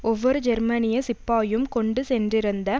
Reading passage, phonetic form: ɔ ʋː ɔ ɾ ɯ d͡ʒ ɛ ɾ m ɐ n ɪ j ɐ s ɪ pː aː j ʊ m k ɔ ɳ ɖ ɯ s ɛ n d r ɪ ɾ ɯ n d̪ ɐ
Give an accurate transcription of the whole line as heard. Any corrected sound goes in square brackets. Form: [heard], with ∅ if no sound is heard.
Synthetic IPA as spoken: ɔ ʋː ɔ ɾ ɯ d͡ʒ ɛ ɾ m ɐ n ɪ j ɐ s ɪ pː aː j [ɯ] m k ɔ ɳ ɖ ɯ s ɛ n d r ɪ ɾ ɯ n d̪ ɐ